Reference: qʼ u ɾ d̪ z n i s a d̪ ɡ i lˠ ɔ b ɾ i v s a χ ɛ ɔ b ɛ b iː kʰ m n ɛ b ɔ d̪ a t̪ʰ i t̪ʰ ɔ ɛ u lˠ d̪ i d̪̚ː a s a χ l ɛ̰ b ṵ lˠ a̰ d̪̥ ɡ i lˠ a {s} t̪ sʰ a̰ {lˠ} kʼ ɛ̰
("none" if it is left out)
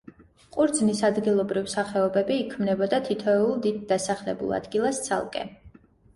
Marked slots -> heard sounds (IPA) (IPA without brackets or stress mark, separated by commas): s, lˠ